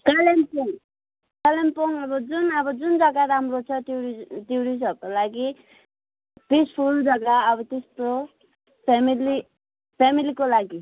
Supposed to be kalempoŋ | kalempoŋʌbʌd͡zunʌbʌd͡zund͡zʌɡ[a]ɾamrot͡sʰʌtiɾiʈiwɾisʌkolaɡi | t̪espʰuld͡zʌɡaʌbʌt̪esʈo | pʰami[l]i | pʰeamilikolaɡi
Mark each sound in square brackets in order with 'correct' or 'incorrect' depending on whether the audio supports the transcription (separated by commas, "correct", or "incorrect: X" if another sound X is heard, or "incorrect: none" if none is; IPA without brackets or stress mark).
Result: correct, correct